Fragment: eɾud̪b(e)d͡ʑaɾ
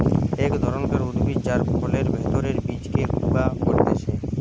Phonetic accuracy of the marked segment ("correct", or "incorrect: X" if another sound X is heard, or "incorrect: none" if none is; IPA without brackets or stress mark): incorrect: i